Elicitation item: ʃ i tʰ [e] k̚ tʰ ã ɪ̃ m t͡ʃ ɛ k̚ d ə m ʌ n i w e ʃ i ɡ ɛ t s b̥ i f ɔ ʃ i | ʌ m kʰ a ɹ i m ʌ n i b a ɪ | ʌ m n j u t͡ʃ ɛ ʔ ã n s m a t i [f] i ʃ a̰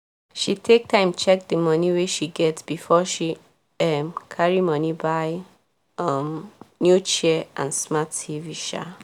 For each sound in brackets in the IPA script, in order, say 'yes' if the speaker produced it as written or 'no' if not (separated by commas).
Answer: yes, no